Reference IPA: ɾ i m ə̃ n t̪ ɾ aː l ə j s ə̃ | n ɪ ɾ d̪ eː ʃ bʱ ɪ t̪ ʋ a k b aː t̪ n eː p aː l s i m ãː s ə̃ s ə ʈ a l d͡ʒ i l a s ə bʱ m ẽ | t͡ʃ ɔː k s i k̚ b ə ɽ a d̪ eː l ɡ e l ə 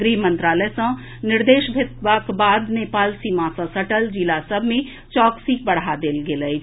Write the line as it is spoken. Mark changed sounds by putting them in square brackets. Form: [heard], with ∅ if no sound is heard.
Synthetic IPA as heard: ɾ i m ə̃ n t̪ ɾ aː l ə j s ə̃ | n ɪ ɾ d̪ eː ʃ bʱ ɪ t̪ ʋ a k b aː [d̪] n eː p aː l s i m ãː s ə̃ s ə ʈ [ə] l d͡ʒ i l a s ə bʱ m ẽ | t͡ʃ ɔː k s i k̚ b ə ɽ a d̪ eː l ɡ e l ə